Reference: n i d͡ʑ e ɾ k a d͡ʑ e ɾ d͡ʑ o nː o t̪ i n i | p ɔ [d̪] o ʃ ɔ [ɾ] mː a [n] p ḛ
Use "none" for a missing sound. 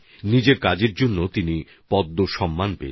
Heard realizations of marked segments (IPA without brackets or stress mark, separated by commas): d̪ː, none, n